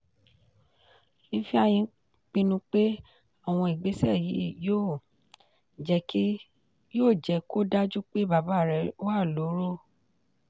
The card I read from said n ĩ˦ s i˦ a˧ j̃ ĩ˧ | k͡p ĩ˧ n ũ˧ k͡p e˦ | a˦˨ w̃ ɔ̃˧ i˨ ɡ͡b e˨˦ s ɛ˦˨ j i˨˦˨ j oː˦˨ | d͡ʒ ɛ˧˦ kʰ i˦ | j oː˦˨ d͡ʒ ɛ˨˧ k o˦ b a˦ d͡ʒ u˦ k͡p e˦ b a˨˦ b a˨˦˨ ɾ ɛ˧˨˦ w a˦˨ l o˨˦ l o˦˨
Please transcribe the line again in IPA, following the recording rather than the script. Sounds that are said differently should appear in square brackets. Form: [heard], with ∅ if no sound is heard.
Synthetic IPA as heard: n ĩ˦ [f] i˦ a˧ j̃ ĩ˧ | k͡p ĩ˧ n ũ˧ k͡p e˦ | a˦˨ w̃ ɔ̃˧ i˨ ɡ͡b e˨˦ s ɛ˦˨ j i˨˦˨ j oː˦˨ | d͡ʒ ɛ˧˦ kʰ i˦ | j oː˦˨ d͡ʒ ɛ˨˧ k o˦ [d] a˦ d͡ʒ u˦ k͡p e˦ b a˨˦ b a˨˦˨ ɾ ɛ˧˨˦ w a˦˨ l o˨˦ [ɾ] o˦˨